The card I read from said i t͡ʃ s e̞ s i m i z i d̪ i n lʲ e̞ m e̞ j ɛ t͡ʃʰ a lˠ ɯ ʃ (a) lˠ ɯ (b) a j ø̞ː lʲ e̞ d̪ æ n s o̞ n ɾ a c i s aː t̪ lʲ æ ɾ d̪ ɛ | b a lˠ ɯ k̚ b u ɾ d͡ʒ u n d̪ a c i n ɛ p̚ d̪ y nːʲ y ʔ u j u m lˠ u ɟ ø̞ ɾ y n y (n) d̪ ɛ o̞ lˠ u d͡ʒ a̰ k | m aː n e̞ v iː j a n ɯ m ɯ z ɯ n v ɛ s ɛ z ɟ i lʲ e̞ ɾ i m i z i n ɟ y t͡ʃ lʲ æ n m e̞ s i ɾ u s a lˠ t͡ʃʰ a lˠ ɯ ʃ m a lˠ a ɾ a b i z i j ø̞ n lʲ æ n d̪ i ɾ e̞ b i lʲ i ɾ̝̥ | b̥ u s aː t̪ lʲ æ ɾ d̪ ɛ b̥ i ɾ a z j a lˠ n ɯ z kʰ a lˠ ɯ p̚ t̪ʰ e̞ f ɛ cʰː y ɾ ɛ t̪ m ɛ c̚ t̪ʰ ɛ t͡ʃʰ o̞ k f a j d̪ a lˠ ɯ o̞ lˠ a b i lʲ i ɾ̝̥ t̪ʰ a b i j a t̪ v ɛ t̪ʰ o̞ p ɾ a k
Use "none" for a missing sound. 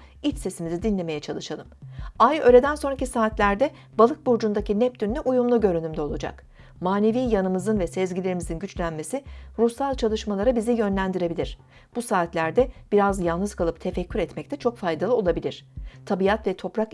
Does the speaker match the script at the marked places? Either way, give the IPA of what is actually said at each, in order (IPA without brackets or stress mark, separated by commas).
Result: a, m, m